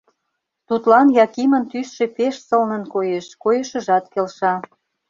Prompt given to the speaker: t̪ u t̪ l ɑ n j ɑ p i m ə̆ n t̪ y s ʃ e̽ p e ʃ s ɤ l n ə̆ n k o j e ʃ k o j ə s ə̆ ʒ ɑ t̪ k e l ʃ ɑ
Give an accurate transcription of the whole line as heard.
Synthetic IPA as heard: t̪ u t̪ l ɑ n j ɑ k i m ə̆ n t̪ y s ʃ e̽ p e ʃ s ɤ l n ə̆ n k o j e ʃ k o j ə ʃ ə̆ ʒ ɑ t̪ k e l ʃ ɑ